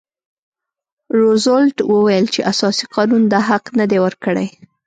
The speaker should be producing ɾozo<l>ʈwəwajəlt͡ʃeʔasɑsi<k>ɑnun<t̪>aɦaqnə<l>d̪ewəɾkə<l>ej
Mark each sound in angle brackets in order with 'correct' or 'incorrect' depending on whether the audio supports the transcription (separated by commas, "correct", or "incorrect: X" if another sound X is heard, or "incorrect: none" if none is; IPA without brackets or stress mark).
correct, incorrect: q, incorrect: d̪, incorrect: none, incorrect: ɽ